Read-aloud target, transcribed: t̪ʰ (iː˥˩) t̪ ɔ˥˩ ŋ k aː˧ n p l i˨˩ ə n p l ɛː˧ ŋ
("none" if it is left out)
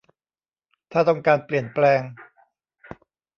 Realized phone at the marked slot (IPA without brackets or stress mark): aː˥˩